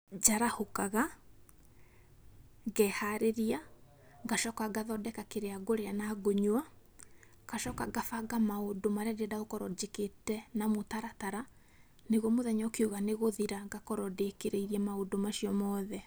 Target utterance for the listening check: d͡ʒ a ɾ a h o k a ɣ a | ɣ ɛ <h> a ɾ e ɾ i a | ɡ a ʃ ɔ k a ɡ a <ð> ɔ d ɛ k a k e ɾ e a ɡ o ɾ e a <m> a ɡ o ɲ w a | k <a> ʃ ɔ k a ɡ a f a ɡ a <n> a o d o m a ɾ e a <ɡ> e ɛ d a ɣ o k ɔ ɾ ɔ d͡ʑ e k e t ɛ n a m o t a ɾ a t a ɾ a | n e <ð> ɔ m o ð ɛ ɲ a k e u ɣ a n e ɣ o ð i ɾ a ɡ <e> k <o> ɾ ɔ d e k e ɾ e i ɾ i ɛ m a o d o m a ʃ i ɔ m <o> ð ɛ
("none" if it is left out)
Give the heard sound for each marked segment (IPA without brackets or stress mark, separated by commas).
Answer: h, ð, n, a, m, d, ɣ, a, ɔ, ɔ